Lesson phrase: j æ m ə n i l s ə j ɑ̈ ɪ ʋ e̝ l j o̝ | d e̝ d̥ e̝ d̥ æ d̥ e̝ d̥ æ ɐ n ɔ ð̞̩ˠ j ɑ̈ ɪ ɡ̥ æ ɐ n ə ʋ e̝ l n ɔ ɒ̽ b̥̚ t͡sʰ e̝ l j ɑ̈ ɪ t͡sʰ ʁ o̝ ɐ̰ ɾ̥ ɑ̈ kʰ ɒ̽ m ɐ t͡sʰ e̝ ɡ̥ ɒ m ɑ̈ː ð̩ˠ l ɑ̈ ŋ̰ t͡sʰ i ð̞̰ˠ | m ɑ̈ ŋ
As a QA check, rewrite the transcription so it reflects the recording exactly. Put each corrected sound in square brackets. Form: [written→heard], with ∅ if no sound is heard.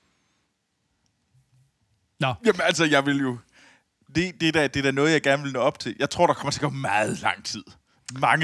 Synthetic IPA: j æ m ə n [i→æ] l s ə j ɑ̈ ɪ ʋ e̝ l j o̝ | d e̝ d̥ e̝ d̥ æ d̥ e̝ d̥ æ ɐ n ɔ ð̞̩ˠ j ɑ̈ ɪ ɡ̥ æ ɐ n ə ʋ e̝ l n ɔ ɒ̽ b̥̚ t͡sʰ e̝ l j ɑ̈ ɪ t͡sʰ ʁ o̝ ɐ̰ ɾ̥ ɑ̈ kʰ ɒ̽ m ɐ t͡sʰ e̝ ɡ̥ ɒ m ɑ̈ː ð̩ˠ l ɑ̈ ŋ̰ t͡sʰ i ð̞̰ˠ | m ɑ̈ ŋ